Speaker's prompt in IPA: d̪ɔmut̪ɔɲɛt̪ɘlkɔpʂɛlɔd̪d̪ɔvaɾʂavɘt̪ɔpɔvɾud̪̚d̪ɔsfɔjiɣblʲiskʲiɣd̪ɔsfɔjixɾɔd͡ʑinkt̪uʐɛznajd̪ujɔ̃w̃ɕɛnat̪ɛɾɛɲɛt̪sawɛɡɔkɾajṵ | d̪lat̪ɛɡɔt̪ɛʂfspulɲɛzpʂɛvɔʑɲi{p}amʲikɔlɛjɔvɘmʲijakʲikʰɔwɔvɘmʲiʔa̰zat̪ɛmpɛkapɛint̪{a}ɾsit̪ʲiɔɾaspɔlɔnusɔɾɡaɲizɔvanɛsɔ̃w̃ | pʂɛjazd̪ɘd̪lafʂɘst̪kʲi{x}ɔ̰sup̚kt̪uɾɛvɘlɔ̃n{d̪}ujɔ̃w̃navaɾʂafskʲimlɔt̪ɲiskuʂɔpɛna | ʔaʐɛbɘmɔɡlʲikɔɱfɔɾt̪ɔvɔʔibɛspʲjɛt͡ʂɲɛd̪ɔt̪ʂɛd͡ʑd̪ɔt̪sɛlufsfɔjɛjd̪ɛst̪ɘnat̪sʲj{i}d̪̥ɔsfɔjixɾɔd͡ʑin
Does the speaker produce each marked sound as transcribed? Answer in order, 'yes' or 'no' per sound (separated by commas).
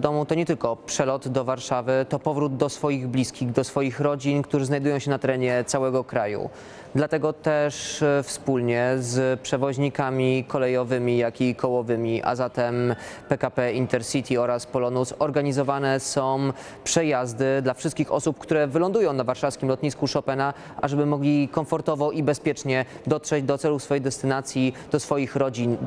no, no, yes, yes, yes